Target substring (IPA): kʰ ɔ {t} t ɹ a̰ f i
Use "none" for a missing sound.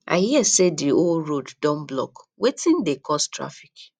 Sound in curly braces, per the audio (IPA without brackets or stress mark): s